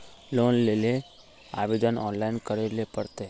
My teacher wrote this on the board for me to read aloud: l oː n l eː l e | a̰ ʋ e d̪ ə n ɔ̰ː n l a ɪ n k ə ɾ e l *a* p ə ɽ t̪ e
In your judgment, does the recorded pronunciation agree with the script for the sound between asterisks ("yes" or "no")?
no